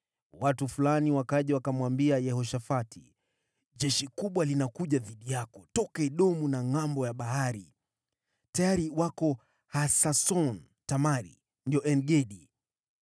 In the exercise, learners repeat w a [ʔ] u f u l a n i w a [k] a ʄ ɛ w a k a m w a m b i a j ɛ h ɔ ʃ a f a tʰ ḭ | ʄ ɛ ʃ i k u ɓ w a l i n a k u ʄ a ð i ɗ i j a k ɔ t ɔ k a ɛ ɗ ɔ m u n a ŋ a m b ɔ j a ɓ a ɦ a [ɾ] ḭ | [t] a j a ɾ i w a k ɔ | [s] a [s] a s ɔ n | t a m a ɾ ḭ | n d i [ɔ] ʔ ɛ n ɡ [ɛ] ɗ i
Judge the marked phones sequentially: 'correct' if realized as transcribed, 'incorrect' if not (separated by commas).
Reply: incorrect, correct, correct, correct, incorrect, correct, correct, correct